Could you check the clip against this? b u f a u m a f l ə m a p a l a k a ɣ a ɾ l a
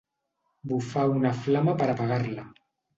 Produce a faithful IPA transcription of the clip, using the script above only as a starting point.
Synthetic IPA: b u f a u n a f l a m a p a ɾ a p a ɣ a ɾ l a